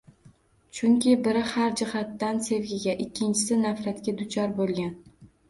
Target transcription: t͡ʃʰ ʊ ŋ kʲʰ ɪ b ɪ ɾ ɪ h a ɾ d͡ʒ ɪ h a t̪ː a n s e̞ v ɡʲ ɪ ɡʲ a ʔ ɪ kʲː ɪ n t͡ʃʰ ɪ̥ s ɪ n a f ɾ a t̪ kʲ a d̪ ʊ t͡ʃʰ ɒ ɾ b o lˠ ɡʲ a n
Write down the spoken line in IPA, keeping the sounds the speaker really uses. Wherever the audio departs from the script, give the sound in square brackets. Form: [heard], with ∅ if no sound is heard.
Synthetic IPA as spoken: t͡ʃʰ ʊ ŋ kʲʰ ɪ b ɪ ɾ ɪ h a ɾ d͡ʒ ɪ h a t̪ː a n s e̞ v ɡʲ ɪ ɡʲ a ʔ ɪ kʲː ɪ n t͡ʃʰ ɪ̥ s ɪ n a f ɾ a t̪ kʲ a d̪ ʊ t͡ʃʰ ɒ ɾ b o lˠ ɡʲ a n